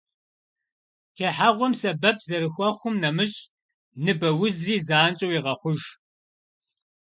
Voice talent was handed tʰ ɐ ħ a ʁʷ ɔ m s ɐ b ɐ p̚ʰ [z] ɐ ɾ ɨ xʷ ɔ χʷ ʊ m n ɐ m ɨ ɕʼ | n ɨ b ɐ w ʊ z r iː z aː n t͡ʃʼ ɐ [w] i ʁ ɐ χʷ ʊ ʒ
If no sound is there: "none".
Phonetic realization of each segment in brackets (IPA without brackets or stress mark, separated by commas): z, w